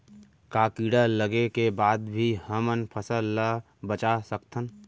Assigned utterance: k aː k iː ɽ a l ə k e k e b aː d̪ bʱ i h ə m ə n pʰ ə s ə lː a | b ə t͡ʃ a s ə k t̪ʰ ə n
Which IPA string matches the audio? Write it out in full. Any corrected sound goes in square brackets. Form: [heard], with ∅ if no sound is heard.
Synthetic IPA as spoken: k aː k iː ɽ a l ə [ɡ] e k e b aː d̪ bʱ i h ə m ə n pʰ ə s ə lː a | b ə t͡ʃ a s ə k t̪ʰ ə n

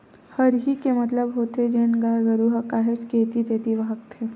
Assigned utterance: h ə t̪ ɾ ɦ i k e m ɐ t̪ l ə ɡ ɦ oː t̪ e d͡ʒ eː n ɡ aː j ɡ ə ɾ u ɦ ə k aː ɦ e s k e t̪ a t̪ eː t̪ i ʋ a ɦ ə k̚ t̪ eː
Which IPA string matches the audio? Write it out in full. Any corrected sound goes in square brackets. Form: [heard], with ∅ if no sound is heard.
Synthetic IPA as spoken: h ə [∅] ɾ ɦ i k e m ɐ t̪ l ə [b] ɦ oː t̪ e d͡ʒ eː n ɡ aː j ɡ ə ɾ u ɦ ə k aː ɦ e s k e t̪ [i] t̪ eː t̪ i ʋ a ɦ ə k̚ [t̪ʰ] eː

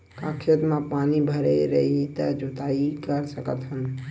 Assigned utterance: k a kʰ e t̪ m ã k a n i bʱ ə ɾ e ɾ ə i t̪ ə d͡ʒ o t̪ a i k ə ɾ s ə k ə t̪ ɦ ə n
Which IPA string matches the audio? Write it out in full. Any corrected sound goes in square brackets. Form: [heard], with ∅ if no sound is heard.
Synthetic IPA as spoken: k a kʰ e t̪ m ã [p] a n i bʱ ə ɾ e ɾ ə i t̪ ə d͡ʒ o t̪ a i k ə ɾ s ə k ə t̪ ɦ ə n

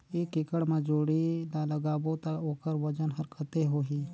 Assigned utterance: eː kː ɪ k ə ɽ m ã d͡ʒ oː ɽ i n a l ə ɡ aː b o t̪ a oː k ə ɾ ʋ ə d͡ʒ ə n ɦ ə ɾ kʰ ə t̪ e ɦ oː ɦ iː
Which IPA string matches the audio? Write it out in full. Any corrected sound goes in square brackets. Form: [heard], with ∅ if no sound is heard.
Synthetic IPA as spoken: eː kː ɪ k ə ɽ m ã d͡ʒ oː ɽ i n a l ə ɡ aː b o t̪ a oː k ə ɾ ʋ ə d͡ʒ ə n ɦ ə ɾ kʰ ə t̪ e ɦ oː ɦ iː

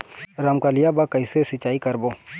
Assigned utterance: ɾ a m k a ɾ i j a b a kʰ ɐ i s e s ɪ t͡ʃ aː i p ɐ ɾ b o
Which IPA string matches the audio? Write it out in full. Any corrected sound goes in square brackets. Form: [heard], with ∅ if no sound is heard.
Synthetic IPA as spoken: ɾ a m k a [l] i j a b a [k] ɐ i s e s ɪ t͡ʃ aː i [k] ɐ ɾ b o

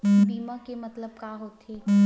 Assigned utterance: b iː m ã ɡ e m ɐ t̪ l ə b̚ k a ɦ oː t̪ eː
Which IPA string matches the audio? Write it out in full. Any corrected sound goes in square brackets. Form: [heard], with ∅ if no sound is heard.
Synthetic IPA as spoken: b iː m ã [k] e m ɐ t̪ l ə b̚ k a ɦ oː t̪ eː

